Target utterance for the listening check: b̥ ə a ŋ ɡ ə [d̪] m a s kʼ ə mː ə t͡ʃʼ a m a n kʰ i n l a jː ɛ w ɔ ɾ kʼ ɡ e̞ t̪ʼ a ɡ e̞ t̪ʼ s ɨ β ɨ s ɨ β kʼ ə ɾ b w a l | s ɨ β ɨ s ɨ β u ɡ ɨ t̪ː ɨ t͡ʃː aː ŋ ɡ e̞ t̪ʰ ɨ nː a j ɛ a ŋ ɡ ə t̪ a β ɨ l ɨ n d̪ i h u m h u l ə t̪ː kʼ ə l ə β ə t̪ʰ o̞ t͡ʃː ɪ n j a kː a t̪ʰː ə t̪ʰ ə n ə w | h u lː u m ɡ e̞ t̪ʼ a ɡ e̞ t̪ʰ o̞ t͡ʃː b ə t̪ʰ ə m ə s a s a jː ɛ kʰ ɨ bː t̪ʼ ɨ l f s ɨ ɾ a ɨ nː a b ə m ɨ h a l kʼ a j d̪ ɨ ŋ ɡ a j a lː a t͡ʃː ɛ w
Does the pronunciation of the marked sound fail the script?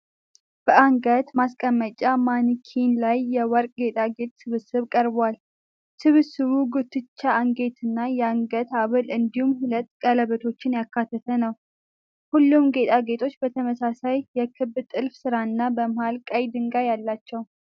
yes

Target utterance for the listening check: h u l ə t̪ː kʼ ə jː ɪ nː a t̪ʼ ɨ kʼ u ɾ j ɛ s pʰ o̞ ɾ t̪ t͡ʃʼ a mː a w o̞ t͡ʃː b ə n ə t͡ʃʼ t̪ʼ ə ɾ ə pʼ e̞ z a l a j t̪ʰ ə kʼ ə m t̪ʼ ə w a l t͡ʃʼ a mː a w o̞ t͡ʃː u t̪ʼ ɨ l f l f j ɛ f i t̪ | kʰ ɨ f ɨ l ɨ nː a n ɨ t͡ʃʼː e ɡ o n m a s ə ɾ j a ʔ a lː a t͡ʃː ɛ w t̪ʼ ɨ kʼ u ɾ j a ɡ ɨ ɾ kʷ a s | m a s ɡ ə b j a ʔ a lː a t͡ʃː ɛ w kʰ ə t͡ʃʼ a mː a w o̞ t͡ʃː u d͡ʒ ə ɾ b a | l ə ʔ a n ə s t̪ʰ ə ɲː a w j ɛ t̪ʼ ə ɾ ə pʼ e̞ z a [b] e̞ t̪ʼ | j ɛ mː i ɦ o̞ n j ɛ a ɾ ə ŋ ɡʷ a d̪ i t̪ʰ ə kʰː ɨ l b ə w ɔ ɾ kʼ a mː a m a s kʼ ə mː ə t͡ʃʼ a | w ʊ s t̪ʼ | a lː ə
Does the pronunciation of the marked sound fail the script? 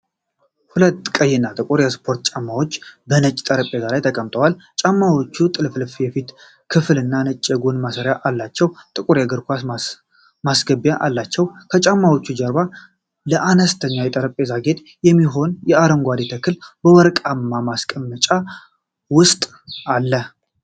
yes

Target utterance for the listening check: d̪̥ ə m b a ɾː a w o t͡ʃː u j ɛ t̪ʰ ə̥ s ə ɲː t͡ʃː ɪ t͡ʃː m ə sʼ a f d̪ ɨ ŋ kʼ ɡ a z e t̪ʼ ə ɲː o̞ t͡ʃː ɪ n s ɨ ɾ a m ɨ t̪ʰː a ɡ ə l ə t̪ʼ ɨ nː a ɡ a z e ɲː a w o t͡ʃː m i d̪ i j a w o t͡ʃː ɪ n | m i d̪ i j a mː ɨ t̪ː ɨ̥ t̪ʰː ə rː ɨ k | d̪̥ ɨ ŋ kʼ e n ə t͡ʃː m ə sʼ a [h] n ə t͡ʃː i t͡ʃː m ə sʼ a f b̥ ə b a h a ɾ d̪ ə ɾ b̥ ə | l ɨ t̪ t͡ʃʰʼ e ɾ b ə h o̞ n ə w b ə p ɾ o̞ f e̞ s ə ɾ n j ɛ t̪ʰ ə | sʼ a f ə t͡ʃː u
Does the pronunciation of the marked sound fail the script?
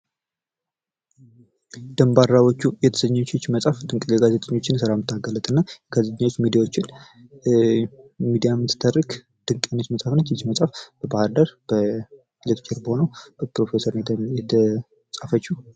yes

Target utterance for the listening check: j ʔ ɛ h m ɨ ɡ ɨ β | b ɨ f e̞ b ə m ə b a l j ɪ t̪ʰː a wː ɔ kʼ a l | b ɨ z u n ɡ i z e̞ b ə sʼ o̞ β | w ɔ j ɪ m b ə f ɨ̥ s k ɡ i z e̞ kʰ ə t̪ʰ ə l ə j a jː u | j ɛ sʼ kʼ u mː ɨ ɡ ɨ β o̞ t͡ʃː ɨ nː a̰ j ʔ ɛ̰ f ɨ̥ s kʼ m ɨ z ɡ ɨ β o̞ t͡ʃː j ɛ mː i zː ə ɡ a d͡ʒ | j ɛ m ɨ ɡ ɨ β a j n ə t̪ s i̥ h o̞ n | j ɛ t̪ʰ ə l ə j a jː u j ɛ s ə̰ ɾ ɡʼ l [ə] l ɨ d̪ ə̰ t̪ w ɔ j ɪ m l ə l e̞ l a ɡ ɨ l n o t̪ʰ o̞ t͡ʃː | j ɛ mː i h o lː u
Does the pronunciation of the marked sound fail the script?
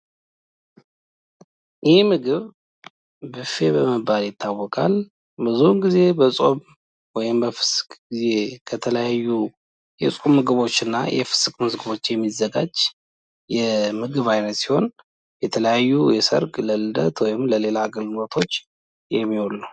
no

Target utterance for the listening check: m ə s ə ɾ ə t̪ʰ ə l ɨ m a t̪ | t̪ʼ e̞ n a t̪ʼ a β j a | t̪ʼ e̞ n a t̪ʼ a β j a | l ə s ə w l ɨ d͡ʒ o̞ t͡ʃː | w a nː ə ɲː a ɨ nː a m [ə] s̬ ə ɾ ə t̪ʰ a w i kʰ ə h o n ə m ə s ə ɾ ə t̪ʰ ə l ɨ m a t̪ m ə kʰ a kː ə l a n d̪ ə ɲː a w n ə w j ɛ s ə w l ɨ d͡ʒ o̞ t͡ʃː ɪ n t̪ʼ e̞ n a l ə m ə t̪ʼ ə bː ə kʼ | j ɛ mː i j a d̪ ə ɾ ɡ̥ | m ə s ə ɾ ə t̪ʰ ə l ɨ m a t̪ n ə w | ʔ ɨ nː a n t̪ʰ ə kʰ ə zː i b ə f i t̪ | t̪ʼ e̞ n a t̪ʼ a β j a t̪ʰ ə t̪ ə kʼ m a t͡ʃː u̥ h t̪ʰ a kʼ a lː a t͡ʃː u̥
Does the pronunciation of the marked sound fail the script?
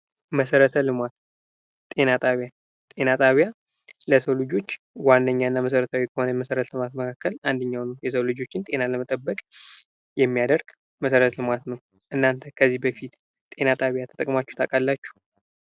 no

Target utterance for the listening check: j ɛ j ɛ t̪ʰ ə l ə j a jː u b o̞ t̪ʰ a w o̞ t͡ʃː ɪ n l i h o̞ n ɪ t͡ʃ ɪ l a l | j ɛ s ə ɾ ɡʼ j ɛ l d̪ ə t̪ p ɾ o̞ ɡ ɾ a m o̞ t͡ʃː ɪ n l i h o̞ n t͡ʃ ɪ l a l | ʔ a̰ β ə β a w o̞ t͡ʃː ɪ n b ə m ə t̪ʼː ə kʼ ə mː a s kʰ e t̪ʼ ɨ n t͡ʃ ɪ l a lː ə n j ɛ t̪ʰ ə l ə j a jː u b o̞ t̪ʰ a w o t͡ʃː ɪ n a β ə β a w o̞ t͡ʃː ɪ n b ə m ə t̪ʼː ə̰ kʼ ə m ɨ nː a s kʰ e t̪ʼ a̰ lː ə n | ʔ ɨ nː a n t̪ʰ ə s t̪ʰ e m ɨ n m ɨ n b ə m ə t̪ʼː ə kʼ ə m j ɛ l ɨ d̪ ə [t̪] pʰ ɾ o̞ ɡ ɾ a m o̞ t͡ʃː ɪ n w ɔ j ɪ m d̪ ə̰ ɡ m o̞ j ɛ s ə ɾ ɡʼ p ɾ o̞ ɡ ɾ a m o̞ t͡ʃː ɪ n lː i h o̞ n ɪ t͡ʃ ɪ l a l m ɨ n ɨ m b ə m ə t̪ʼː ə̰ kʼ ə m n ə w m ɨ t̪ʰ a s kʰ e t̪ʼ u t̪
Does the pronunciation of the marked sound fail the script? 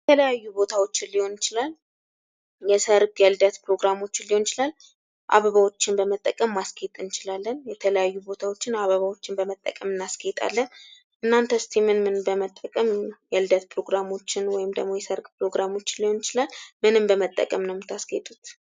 no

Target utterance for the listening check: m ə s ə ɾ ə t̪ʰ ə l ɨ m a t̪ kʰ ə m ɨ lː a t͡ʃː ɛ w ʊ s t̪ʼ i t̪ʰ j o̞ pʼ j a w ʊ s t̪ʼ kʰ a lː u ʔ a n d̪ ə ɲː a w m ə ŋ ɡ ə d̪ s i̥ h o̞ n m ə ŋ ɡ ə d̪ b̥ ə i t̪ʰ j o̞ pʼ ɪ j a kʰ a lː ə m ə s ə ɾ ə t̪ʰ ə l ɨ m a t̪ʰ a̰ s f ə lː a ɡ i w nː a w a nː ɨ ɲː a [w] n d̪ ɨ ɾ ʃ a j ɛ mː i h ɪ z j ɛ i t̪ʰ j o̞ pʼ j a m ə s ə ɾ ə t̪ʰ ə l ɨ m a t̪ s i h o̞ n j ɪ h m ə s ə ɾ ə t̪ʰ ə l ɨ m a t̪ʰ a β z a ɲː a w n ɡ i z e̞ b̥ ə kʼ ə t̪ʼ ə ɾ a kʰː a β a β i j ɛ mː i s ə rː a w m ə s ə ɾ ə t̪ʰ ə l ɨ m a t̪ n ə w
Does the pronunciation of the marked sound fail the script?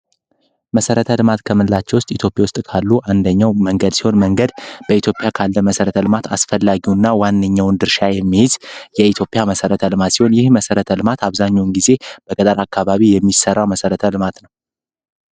no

